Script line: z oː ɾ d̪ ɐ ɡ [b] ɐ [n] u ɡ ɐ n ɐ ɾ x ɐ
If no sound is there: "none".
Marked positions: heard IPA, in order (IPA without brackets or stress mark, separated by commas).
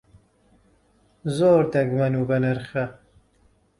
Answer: m, n